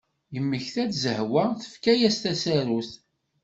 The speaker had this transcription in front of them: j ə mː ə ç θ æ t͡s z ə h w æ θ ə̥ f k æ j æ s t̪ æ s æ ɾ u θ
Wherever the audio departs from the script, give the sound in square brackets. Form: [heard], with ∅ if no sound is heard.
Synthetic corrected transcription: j ə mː ə ç θ æ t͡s z ə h w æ θ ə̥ f k æ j æ s t̪ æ s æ ɾ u θ